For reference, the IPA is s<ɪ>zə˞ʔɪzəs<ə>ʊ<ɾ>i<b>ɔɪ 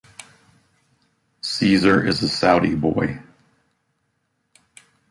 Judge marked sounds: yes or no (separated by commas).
no, no, yes, yes